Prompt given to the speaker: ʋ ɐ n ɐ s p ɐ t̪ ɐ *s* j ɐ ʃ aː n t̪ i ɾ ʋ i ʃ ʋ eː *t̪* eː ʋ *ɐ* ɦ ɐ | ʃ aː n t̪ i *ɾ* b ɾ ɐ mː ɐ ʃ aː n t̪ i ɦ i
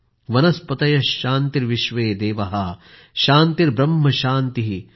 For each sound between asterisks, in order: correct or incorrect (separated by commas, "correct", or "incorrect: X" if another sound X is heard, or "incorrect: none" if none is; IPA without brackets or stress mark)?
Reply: incorrect: none, incorrect: d̪, correct, correct